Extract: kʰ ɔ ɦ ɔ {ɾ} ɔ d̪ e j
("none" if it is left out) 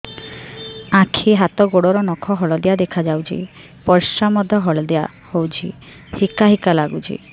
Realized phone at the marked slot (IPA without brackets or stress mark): ɭ